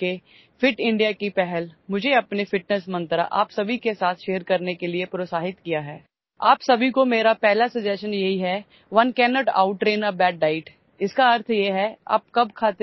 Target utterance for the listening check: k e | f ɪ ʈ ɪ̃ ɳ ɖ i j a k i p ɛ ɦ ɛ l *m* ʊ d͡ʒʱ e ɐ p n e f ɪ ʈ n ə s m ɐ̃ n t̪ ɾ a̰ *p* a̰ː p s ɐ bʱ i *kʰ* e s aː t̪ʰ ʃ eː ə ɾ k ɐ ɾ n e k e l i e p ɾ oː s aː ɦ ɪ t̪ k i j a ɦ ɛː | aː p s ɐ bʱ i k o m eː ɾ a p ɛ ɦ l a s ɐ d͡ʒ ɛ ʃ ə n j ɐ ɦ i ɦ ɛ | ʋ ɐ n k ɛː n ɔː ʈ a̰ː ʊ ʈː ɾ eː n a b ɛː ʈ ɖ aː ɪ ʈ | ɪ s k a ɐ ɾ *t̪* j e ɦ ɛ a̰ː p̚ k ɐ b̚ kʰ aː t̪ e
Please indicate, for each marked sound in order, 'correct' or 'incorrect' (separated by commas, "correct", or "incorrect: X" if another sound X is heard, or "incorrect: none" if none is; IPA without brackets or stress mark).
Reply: correct, incorrect: ʔ, incorrect: k, incorrect: t̪ʰ